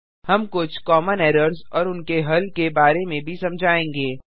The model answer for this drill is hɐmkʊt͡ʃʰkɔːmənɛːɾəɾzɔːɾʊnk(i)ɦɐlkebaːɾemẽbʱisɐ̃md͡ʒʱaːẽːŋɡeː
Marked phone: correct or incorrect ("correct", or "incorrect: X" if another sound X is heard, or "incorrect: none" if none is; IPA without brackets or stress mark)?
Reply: incorrect: e